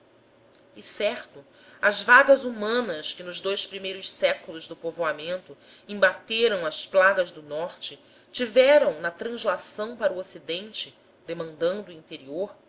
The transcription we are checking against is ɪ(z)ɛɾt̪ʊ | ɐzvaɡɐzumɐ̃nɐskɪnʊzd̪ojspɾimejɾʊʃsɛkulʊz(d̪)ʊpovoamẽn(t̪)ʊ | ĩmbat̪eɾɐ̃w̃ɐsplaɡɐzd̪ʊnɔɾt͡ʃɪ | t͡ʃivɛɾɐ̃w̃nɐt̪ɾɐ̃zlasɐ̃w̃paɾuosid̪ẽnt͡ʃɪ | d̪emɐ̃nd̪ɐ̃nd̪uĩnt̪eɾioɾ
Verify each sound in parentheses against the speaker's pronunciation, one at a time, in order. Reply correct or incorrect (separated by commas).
incorrect, correct, correct